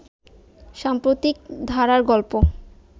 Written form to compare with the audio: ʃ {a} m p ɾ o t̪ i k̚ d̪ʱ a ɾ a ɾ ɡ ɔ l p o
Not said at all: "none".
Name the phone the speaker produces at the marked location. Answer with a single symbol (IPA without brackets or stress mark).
a